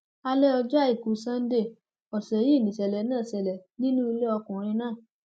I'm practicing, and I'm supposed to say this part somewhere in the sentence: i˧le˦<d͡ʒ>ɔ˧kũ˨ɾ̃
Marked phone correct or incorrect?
incorrect